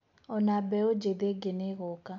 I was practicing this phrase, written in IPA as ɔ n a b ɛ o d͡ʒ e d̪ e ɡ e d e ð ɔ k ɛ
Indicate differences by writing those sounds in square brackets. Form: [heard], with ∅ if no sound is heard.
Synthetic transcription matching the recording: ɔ n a b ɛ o d͡ʒ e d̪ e ɡ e [n] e [ɣ] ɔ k [a]